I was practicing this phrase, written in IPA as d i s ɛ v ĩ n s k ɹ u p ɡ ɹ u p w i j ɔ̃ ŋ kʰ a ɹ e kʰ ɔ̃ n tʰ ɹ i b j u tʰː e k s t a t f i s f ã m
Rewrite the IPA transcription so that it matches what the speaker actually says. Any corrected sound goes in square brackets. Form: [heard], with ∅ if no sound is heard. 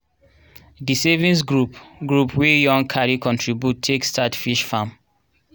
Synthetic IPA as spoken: d i s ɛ v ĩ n s [ɡ] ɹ u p ɡ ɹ u p w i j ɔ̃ ŋ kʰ a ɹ [i] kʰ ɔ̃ n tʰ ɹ i b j u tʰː e k s t a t f i [ʃ] f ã m